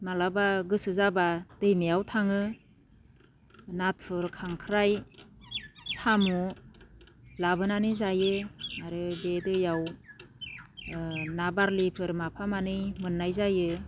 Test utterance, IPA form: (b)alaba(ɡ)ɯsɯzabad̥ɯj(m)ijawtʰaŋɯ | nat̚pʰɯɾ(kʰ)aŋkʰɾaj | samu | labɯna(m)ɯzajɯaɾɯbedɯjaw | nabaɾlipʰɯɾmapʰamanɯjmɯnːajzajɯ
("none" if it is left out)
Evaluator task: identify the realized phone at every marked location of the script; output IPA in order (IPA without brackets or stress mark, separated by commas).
m, ɡ, m, kʰ, n